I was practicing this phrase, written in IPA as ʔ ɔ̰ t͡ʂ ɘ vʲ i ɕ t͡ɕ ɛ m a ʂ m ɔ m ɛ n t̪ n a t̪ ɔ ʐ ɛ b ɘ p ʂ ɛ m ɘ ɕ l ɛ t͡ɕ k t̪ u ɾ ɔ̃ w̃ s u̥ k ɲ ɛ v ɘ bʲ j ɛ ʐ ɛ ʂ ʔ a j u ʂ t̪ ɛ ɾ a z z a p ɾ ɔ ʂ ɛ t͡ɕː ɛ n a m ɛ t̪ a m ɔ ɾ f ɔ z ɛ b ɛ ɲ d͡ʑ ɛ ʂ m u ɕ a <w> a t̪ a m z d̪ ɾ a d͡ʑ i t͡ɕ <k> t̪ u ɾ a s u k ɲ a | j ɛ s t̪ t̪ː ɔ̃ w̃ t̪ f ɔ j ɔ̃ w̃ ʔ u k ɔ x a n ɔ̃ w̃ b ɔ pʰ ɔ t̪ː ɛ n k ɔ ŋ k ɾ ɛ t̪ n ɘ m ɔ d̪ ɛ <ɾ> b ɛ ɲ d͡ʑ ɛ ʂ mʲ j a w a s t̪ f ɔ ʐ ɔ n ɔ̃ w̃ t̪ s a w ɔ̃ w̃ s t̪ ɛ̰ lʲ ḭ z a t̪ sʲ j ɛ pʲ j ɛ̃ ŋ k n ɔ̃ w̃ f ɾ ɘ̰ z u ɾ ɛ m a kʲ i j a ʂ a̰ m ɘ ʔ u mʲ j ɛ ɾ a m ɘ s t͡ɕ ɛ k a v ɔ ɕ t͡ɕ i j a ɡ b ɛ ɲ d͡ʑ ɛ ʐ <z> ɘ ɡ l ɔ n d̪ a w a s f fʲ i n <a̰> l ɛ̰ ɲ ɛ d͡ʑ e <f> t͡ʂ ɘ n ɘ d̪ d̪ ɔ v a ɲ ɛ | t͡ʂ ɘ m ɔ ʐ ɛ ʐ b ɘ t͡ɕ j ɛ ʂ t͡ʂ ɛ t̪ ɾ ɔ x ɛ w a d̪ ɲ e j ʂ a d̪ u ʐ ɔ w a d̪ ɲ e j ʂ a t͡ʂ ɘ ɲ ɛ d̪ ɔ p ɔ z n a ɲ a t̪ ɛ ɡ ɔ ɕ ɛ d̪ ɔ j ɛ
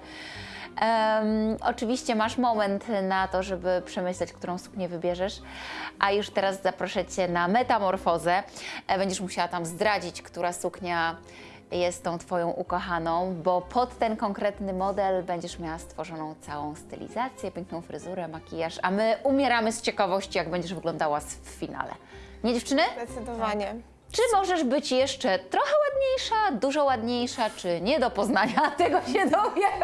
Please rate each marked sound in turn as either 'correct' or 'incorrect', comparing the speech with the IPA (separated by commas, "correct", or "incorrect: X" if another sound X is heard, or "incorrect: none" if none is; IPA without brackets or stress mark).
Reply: correct, correct, incorrect: l, incorrect: v, correct, correct